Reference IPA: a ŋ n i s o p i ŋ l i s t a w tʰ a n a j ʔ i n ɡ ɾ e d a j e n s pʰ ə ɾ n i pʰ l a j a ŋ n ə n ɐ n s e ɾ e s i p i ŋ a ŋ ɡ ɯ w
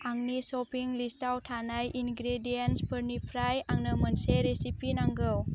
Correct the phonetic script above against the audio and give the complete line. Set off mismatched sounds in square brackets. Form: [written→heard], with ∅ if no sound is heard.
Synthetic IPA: a ŋ n i s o p i ŋ l i s t a w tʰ a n a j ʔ i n ɡ ɾ e d [a→i] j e n s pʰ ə ɾ n i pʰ [l→ɾ] a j a ŋ n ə [n→m] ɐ n s e ɾ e s i p i [ŋ→n] a ŋ ɡ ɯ w